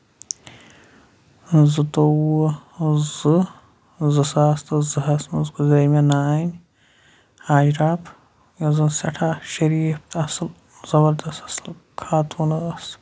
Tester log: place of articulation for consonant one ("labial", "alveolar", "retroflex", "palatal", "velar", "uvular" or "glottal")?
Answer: alveolar